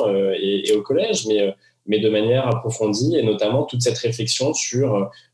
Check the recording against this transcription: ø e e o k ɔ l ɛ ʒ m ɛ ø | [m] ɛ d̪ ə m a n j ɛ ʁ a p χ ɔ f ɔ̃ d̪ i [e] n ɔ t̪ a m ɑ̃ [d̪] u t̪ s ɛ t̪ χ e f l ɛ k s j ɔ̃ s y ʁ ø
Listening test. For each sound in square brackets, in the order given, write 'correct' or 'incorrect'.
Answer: correct, correct, incorrect: t̪

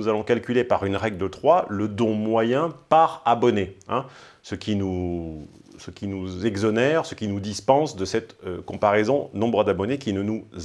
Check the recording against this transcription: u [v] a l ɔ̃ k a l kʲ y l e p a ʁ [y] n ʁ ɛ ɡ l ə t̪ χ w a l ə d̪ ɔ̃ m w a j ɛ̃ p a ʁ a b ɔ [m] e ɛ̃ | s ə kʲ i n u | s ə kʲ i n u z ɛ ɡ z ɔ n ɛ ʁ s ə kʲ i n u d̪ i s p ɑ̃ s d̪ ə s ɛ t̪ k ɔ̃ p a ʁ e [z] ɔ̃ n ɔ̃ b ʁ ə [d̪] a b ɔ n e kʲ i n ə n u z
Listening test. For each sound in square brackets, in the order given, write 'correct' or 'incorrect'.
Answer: incorrect: z, correct, incorrect: n, correct, correct

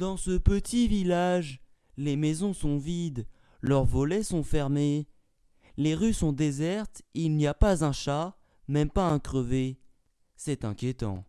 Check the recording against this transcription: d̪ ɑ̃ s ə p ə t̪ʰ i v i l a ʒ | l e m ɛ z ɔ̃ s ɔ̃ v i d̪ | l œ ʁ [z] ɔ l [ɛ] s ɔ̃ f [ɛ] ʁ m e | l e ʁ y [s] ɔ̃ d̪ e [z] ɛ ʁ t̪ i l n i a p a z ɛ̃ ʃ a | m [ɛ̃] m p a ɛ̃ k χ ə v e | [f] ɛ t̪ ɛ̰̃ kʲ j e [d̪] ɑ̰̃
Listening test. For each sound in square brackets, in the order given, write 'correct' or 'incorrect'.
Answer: incorrect: v, correct, correct, correct, correct, incorrect: ɛ, incorrect: s, incorrect: t̪

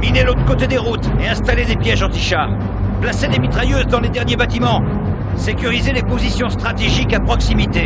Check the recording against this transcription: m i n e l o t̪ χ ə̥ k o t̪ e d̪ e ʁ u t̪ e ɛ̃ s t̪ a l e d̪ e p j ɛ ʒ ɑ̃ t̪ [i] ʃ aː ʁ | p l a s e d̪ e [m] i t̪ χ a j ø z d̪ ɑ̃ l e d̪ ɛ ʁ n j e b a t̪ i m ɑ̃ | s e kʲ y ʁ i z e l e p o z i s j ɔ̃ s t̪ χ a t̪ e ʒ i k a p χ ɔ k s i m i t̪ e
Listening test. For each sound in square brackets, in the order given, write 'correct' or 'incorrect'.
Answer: correct, correct

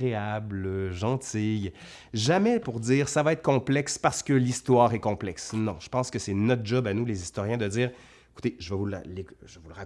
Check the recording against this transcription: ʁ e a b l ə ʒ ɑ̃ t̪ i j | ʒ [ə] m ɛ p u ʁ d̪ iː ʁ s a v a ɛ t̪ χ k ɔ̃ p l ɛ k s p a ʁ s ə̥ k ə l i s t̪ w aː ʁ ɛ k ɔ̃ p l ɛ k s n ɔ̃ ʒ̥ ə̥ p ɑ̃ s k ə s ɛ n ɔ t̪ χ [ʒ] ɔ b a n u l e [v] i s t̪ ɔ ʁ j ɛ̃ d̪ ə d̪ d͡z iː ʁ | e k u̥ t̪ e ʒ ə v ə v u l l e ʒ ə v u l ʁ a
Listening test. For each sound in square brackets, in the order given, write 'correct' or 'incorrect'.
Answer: incorrect: a, correct, incorrect: z

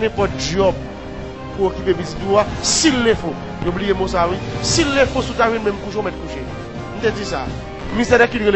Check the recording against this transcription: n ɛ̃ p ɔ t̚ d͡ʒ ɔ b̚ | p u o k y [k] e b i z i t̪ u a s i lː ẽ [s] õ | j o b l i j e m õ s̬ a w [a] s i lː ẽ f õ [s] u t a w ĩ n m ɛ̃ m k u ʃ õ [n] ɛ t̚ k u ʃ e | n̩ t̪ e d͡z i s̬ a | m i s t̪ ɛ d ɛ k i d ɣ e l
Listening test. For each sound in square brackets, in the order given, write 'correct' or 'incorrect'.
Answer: incorrect: p, incorrect: f, incorrect: i, correct, incorrect: m

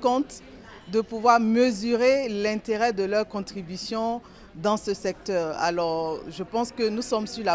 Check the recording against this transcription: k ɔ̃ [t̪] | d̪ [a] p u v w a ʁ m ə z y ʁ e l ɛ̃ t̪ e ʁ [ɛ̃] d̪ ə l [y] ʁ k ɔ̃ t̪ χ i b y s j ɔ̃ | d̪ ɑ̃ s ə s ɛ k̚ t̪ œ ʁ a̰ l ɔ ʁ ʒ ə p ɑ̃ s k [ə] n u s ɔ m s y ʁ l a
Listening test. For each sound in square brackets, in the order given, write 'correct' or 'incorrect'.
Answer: correct, incorrect: ə, incorrect: ɛ, incorrect: œ, correct

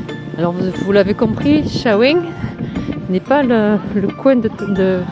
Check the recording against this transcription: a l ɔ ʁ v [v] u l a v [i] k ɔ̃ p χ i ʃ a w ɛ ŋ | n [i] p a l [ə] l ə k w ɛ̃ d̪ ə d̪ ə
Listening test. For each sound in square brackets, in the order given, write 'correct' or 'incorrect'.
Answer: correct, incorrect: e, incorrect: ɛ, correct

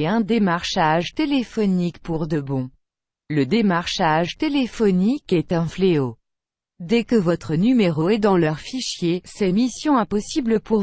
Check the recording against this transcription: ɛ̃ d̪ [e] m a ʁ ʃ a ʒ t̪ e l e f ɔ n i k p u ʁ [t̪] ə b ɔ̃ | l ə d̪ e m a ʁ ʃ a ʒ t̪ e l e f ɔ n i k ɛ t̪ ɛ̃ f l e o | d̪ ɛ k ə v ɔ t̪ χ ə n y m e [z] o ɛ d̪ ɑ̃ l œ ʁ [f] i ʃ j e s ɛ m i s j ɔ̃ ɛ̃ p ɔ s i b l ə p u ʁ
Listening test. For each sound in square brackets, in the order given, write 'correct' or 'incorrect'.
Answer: correct, incorrect: d̪, incorrect: ʁ, correct

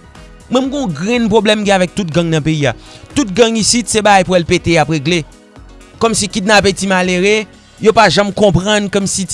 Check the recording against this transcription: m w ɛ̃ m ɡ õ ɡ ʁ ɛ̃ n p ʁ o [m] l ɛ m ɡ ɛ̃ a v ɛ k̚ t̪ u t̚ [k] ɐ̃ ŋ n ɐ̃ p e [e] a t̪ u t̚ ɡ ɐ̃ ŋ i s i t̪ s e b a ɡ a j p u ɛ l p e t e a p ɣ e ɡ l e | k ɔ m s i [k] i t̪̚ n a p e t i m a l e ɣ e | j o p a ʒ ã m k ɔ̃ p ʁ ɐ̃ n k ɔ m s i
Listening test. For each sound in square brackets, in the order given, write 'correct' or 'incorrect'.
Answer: incorrect: b, incorrect: ɡ, incorrect: i, correct

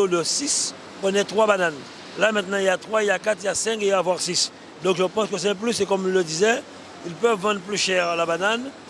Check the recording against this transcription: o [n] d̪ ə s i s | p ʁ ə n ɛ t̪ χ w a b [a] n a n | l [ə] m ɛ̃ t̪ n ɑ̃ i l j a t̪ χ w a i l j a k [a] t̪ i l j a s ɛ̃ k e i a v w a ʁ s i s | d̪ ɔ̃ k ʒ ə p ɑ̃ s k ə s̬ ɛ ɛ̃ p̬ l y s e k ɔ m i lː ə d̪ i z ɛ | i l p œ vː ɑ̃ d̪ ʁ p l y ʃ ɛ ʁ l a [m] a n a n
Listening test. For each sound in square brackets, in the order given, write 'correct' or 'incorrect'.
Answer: incorrect: none, correct, incorrect: a, correct, incorrect: b

